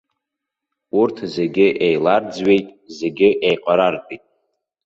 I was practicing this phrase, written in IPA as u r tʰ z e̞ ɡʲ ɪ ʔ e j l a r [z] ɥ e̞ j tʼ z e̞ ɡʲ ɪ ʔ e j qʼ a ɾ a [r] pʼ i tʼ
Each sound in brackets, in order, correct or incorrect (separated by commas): incorrect, correct